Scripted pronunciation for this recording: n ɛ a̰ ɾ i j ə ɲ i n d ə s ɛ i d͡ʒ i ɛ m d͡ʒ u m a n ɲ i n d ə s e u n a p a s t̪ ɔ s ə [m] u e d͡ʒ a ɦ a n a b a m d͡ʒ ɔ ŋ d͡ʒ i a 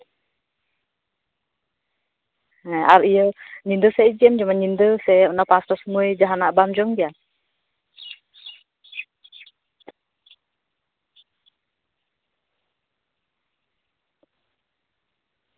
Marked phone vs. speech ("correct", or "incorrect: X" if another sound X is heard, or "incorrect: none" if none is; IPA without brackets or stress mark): correct